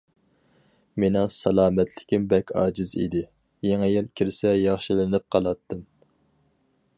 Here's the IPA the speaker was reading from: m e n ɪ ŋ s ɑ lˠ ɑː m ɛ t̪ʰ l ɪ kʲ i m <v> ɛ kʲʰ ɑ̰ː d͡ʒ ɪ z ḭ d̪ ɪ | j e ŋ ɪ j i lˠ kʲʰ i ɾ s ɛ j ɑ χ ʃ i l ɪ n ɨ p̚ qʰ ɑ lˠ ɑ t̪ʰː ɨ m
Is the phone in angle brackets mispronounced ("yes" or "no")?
yes